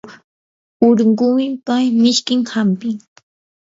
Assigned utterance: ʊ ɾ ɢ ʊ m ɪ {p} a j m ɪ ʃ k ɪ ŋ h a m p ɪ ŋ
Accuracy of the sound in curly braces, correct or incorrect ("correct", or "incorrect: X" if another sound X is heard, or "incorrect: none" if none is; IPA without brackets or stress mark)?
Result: correct